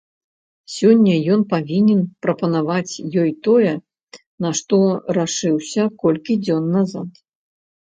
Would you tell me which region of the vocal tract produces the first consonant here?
tongue tip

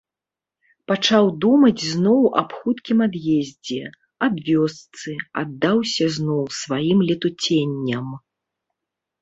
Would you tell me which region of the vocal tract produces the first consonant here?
lips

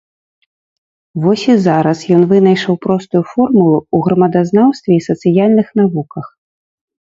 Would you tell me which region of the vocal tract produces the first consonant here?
lips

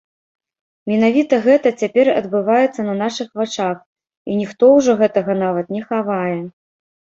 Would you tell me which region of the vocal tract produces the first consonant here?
lips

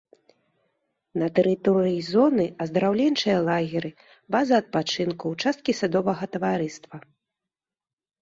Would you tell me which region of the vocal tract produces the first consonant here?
tongue tip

